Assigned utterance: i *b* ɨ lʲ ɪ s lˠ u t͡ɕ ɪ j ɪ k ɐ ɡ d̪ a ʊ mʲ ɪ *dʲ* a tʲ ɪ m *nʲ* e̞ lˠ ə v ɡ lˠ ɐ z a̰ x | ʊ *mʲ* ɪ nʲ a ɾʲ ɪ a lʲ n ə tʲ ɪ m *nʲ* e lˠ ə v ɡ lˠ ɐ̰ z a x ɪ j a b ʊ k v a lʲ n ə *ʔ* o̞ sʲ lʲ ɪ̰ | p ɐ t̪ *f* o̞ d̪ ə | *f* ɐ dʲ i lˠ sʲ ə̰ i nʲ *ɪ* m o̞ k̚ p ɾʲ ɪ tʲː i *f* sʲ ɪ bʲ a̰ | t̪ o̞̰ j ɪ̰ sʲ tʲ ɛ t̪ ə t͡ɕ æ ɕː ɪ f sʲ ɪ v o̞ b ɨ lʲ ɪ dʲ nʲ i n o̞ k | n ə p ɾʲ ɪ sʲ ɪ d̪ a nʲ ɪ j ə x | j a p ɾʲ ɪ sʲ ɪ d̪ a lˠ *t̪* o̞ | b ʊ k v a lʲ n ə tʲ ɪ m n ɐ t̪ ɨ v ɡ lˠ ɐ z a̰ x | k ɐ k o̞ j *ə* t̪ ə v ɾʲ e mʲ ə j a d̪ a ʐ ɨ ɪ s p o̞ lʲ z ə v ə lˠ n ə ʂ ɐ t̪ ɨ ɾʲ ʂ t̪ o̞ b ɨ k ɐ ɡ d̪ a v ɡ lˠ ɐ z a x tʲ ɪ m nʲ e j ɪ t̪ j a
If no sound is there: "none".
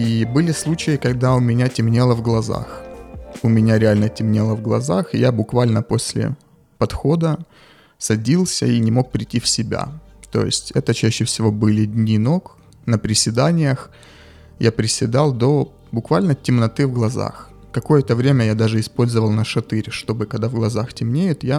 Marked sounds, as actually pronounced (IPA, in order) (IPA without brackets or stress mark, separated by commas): b, nʲ, nʲ, mʲ, nʲ, p, x, s, ɪ, f, d̪, ə